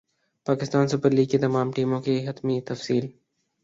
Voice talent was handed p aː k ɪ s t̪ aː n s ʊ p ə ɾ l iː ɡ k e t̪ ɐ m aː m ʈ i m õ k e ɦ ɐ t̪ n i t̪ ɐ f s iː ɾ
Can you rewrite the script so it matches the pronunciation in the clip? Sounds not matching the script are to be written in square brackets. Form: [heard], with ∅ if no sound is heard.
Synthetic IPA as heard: p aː k ɪ s t̪ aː n s ʊ p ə ɾ l iː ɡ k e t̪ ɐ m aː m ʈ [iː] m õ k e ɦ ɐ t̪ [m] i t̪ ɐ f s iː [l]